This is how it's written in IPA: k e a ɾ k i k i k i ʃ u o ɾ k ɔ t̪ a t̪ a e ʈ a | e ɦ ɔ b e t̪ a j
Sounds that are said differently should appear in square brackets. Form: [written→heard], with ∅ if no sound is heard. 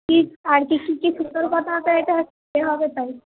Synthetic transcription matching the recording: k [e→i] a ɾ k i k i k i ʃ u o ɾ k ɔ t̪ a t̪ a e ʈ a | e ɦ ɔ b e t̪ a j